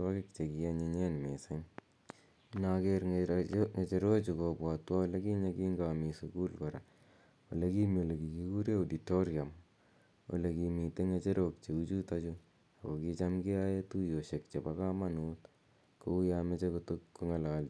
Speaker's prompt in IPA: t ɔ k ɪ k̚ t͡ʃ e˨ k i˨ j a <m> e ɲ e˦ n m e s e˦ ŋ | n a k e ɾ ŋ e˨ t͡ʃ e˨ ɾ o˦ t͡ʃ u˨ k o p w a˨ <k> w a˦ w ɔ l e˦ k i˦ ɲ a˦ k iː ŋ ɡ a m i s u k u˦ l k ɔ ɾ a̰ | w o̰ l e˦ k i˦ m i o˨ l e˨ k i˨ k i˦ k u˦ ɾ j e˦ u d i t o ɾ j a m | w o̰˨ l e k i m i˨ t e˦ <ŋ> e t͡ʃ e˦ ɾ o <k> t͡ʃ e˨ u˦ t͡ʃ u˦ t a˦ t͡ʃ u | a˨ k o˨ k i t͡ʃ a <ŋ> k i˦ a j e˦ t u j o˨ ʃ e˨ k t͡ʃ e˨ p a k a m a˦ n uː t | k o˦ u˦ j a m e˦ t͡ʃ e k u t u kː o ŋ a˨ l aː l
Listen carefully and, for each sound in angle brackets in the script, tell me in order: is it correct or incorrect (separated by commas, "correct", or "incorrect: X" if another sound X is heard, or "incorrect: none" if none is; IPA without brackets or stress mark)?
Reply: incorrect: ɲ, incorrect: t, correct, correct, incorrect: m